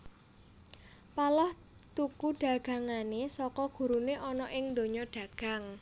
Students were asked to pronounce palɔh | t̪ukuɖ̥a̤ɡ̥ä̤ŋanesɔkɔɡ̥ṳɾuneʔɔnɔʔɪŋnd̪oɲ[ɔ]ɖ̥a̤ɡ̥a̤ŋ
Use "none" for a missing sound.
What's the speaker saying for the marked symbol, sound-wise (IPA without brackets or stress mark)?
ɔ